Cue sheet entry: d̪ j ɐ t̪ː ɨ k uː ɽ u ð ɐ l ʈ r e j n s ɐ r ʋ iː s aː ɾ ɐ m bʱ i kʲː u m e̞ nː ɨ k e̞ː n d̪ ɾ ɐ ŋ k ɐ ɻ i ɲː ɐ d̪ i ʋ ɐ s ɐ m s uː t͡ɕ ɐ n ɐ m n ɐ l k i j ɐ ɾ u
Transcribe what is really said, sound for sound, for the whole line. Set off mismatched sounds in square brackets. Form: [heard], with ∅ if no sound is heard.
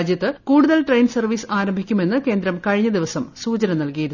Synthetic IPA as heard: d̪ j ɐ t̪ː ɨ k uː ɽ u ð ɐ l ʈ r e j n s ɐ r ʋ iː s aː ɾ ɐ m bʱ i kʲː u m e̞ nː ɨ k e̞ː n d̪ ɾ ɐ [m] k ɐ ɻ i ɲː ɐ d̪ i ʋ ɐ s ɐ m s uː t͡ɕ ɐ n ɐ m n ɐ l k i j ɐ ɾ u